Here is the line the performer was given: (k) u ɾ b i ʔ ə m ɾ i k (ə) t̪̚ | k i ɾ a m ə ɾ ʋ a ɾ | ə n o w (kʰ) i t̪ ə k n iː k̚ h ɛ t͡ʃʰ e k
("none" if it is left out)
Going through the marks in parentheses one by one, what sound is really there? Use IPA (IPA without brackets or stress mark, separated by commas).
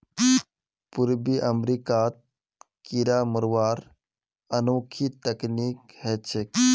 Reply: p, a, kʰ